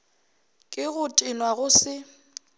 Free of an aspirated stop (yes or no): yes